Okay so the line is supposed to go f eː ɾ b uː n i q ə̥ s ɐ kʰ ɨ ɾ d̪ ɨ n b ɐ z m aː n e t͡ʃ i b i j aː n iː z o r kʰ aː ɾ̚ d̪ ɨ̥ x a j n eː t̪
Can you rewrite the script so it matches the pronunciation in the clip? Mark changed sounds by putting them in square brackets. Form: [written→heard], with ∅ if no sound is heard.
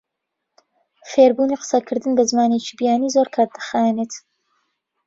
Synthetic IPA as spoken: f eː ɾ b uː n i q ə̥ s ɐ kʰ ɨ ɾ d̪ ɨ n b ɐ z m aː n e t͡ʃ i b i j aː n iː z o [r→ɾ] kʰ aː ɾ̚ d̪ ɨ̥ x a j n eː t̪